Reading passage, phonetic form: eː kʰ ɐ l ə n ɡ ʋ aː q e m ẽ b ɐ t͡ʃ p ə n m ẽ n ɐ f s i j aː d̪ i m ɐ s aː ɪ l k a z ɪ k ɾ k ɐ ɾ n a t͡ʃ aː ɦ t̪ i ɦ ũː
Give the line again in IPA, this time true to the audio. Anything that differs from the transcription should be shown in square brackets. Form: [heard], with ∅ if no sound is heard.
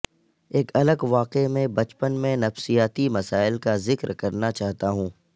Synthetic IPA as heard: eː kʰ ɐ l ə [∅] ɡ ʋ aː q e m ẽ b ɐ t͡ʃ p ə n m ẽ n ɐ f s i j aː [t̪] i m ɐ s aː ɪ l k a z ɪ k ɾ k ɐ ɾ n a t͡ʃ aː ɦ t̪ [a] ɦ ũː